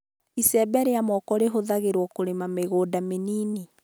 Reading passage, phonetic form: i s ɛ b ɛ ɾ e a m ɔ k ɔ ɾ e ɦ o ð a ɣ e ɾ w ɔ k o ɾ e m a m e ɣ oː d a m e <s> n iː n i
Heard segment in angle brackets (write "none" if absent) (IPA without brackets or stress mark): none